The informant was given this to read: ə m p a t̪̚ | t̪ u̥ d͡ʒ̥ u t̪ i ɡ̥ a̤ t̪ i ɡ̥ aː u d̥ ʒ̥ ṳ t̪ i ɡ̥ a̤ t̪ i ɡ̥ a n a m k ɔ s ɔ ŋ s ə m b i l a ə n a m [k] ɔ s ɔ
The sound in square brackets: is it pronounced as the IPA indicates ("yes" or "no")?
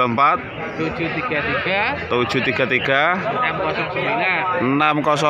yes